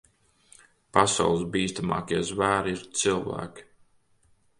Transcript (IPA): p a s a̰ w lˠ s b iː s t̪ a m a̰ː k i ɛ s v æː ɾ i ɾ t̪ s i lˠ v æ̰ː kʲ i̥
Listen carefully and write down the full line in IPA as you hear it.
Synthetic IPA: p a s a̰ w lˠ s b iː s t̪ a m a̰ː k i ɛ z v æː ɾ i ɾ t̪ s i lˠ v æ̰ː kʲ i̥